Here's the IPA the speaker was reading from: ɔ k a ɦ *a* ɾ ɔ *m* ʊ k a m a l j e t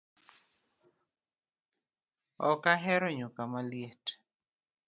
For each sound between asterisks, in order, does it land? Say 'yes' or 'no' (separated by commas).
no, no